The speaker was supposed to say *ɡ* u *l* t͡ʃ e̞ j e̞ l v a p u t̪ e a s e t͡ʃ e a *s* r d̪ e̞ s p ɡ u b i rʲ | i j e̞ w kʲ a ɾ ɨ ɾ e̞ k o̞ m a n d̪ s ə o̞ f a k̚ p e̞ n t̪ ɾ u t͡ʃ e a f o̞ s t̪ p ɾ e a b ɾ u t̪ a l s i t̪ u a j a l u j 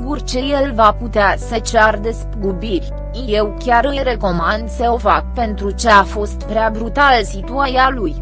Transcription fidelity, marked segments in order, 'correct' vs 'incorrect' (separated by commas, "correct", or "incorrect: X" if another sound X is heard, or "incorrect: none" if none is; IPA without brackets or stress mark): correct, incorrect: r, incorrect: none